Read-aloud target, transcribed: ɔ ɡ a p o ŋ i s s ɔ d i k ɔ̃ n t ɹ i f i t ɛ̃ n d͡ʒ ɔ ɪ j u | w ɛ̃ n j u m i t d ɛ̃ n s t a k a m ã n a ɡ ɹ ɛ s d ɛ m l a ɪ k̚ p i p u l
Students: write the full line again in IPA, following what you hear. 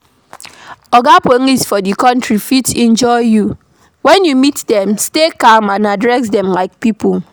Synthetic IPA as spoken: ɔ ɡ a p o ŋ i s f ɔ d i k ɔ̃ n t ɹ i f i t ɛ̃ n d͡ʒ ɔ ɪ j u | w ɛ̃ n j u m i t d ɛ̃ m s t e k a m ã n a d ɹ ɛ s d ɛ m l a ɪ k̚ p i p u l

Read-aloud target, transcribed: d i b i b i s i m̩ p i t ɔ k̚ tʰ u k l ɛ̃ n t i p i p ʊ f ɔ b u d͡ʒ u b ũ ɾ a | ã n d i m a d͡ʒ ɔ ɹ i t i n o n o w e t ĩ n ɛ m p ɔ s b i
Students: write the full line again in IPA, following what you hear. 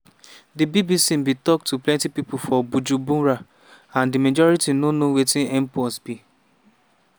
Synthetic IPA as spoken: d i b i b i s i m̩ b i t ɔ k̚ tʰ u p l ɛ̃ n t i p i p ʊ f ɔ b u d͡ʒ u b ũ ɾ a | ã n d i m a d͡ʒ ɔ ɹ i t i n o n o w e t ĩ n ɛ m p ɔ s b i

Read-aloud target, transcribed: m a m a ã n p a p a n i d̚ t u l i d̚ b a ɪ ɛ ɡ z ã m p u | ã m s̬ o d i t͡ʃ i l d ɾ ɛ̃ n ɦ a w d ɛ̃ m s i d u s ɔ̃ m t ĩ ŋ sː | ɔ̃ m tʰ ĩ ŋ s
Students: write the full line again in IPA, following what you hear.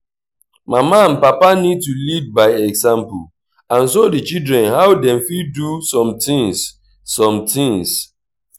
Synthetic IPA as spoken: m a m a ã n p a p a n i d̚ t u l i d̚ b a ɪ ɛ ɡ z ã m p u | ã n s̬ o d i t͡ʃ i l d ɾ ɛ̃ n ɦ a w d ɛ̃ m f i d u s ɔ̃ m t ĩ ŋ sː | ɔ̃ m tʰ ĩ ŋ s

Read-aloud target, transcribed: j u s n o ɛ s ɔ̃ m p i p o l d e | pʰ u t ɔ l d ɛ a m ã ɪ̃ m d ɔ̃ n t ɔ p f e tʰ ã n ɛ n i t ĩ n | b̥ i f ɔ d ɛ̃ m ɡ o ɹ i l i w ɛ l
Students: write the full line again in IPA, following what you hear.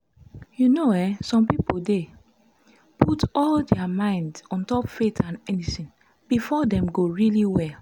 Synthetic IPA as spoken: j u n o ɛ s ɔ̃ m p i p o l d e | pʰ u t ɔ l d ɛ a m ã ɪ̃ n d ɔ̃ n t ɔ p f e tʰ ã n ɛ n i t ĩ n | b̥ i f ɔ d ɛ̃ m ɡ o ɹ i l i w ɛ l

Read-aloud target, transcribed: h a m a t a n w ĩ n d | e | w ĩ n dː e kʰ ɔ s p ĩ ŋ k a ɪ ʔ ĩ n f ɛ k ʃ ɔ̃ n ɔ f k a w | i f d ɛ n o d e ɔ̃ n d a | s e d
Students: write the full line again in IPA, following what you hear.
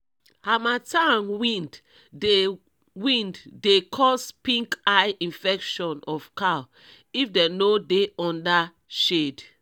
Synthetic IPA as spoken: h a m a t a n w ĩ n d | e | w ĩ n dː e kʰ ɔ s p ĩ ŋ k a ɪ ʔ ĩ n f ɛ k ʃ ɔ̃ n ɔ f k a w | i f d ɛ n o d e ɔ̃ n d a | ʃ e d

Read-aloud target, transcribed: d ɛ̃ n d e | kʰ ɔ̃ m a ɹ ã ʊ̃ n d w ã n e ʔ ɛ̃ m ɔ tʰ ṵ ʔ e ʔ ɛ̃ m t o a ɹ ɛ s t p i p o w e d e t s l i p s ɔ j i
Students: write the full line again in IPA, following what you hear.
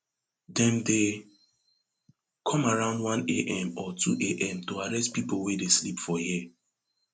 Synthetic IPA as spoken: d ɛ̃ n d e | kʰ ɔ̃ m a ɹ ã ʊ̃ n d w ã n e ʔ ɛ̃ m ɔ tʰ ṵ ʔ e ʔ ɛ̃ m t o a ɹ ɛ s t p i p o w e d e s l i p f ɔ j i

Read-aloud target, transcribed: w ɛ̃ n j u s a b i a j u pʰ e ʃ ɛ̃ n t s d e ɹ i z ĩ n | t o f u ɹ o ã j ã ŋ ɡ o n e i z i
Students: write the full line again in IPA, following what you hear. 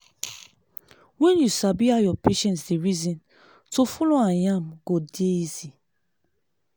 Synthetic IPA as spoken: w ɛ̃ n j u s a b i a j ɔ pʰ e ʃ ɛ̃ n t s d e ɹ i z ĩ n | t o f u l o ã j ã m ɡ o d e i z i

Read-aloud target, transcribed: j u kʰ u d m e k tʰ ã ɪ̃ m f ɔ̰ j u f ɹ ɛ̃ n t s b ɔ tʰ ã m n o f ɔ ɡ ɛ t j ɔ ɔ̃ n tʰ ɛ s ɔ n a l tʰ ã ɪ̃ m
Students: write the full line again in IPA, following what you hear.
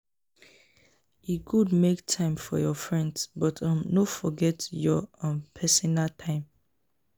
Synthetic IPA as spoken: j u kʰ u d m e k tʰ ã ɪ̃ m f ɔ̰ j ɔ f ɹ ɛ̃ n d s b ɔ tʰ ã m n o f ɔ ɡ ɛ t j ɔ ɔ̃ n pʰ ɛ s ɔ n a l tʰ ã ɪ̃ m

